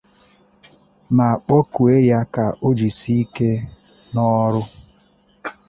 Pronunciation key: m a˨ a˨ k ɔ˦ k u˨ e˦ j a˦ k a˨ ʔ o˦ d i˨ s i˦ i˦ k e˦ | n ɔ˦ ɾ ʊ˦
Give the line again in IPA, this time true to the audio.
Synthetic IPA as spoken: m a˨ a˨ k͡p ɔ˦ k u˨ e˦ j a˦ k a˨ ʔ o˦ d͡ʒ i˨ s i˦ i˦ k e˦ | n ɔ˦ ɾ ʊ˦